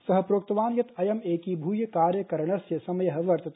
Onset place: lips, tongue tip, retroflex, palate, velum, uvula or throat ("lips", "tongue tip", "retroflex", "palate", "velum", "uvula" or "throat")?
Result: tongue tip